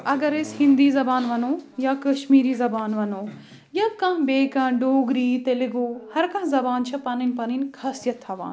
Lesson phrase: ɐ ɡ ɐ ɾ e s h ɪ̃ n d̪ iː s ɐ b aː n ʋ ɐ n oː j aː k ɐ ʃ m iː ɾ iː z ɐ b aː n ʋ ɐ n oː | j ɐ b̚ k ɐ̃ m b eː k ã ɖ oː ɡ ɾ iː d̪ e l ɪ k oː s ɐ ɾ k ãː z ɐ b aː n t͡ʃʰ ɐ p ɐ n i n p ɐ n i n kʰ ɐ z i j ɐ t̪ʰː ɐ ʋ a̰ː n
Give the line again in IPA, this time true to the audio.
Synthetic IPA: ɐ ɡ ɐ ɾ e s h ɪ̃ n d̪ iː z ɐ b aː n ʋ ɐ n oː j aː k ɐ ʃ m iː ɾ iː z ɐ b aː n ʋ ɐ n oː | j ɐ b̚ k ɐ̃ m b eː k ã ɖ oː ɡ ɾ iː t̪ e l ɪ ɡ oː h ɐ ɾ k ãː z ɐ b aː n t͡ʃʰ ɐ p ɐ n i n p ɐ n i n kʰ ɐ s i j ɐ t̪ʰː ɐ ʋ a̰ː n